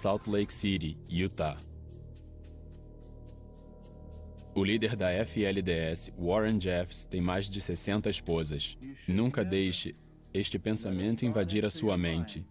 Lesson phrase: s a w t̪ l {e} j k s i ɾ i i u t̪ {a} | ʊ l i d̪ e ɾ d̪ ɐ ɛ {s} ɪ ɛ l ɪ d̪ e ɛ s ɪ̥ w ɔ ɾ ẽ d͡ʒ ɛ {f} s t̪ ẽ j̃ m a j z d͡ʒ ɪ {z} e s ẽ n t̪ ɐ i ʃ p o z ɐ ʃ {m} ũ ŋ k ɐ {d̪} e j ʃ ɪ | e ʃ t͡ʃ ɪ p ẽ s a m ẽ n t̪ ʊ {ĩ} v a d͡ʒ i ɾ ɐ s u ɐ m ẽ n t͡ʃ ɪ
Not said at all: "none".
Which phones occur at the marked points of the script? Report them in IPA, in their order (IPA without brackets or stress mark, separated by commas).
e, a, f, f, s, n, d̪, ĩ